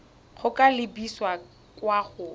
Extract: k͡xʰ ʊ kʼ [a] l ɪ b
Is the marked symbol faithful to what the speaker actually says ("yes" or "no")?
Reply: yes